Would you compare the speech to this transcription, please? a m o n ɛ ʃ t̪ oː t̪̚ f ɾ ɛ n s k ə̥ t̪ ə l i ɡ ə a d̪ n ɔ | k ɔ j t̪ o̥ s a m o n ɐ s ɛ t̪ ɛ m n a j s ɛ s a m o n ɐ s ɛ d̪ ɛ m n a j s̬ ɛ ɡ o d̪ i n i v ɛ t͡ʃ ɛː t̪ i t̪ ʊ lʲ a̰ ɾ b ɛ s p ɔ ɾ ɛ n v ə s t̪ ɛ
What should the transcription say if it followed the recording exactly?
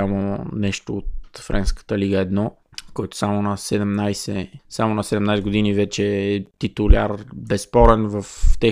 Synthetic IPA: a m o n ɛ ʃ t̪ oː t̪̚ f ɾ ɛ n s k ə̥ t̪ ə l i ɡ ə ɛ d̪ n ɔ | k ɔ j t̪ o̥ s a m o n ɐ s ɛ d̪ ɛ m n a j s ɛ s a m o n ɐ s ɛ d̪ ɛ m n a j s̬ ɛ ɡ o d̪ i n i v ɛ t͡ʃ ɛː t̪ i t̪ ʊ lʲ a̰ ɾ b ɛ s p ɔ ɾ ɛ n v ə f t̪ ɛ